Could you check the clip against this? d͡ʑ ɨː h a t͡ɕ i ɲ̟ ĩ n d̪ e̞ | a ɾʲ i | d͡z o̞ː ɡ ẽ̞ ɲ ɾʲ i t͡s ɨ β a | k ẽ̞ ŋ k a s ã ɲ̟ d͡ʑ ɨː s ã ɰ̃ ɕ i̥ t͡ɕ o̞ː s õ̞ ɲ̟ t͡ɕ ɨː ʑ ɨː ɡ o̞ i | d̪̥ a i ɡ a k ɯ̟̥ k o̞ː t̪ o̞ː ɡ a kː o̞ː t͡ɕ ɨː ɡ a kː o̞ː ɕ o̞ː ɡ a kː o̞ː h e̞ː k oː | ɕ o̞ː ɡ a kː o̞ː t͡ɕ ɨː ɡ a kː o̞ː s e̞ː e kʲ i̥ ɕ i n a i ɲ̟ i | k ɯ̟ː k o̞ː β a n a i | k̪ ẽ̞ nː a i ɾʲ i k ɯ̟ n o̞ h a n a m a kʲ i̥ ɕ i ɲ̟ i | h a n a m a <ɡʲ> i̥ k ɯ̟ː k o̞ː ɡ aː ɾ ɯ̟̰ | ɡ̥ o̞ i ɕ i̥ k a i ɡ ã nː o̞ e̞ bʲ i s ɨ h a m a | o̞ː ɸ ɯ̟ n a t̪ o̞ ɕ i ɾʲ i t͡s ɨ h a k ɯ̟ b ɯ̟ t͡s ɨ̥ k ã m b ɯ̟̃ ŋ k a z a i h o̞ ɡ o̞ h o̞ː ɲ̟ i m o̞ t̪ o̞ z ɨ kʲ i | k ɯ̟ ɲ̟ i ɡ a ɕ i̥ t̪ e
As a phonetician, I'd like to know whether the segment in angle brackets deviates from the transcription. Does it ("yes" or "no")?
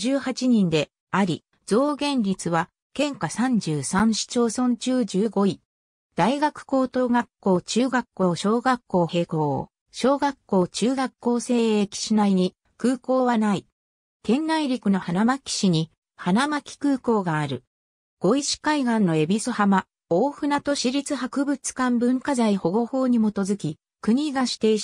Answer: yes